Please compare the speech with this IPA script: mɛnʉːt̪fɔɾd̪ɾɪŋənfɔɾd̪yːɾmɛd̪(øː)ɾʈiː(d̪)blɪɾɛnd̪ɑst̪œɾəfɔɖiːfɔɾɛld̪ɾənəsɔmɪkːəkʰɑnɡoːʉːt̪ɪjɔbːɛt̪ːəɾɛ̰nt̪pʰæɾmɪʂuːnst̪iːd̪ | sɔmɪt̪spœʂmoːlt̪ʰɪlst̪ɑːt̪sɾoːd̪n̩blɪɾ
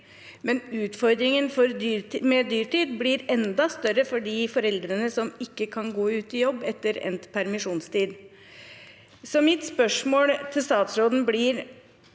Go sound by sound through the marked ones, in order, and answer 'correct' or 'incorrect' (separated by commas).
incorrect, correct